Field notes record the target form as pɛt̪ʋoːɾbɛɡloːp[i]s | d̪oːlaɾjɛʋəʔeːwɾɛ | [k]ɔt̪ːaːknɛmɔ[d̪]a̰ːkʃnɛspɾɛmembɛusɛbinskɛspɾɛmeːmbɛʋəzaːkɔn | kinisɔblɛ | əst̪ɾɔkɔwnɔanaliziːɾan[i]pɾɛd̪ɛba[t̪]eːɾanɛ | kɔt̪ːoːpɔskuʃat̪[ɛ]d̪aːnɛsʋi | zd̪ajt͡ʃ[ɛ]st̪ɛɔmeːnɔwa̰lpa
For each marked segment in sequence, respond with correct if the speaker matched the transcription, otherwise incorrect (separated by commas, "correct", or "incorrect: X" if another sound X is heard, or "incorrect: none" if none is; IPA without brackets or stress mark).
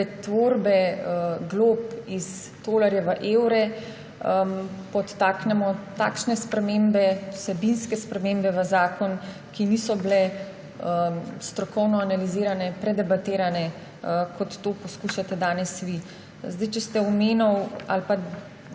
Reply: correct, incorrect: p, incorrect: t̪, incorrect: ɛ, correct, correct, correct